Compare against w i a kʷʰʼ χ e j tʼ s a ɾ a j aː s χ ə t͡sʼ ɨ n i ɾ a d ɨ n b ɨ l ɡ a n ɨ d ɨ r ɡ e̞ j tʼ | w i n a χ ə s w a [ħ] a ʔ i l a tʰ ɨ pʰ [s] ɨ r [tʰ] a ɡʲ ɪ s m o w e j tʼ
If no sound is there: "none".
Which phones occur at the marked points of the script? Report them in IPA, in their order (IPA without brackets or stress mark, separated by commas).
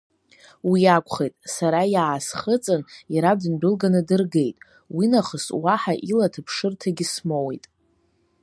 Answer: ħ, ʂ, tʰ